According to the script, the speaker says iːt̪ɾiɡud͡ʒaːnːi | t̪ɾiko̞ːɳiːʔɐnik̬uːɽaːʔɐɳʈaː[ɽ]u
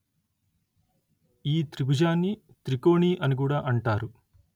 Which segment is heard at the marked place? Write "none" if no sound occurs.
ɾ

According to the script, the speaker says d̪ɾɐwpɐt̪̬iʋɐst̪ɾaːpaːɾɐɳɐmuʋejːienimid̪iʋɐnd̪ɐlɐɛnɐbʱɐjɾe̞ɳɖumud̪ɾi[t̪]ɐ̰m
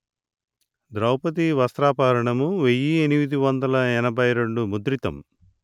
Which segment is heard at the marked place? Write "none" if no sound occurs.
t̪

